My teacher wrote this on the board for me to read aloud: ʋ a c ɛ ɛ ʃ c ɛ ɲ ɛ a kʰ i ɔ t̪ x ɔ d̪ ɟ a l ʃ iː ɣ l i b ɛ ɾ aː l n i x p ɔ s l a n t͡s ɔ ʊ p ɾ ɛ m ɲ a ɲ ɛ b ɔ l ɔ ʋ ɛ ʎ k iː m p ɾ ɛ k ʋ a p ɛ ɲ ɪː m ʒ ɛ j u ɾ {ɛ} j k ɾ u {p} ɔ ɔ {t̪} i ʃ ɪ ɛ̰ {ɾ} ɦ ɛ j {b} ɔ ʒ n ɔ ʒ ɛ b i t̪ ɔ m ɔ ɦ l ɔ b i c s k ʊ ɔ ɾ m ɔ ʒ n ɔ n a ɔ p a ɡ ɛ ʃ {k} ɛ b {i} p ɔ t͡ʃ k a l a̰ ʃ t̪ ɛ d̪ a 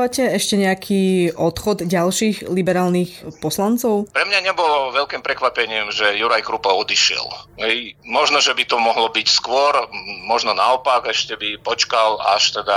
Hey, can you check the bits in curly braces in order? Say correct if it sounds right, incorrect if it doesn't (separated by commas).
incorrect, correct, incorrect, incorrect, incorrect, incorrect, correct